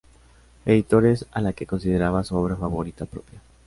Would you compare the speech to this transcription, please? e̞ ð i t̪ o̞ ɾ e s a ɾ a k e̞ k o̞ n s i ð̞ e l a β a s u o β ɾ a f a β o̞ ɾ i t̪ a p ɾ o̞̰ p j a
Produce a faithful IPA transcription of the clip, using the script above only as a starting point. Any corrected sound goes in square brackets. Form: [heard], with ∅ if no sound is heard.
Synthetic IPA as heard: e̞ ð i t̪ o̞ ɾ e s a [l] a k e̞ k o̞ n s i ð̞ e [ɾ] a β a s u o β ɾ a f a β o̞ ɾ i t̪ a p ɾ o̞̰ p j a